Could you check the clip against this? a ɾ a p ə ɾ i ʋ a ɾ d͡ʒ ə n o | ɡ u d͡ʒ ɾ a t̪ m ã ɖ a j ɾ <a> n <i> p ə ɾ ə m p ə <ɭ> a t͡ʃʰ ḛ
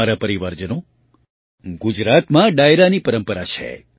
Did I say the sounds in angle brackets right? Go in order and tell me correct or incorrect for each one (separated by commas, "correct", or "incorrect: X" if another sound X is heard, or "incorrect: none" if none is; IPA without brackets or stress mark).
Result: correct, correct, incorrect: ɾ